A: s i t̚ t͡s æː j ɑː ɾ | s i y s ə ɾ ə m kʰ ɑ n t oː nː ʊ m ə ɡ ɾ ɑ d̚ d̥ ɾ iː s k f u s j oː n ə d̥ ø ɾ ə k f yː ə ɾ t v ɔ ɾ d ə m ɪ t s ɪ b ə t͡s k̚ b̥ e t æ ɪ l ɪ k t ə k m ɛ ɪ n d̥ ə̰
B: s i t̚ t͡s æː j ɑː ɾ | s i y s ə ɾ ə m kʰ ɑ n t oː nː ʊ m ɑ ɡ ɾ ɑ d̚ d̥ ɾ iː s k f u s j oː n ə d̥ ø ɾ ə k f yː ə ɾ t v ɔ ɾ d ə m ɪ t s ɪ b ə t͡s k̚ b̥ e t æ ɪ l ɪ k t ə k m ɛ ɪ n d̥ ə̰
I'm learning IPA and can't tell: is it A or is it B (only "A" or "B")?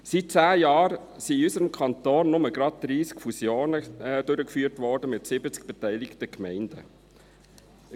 A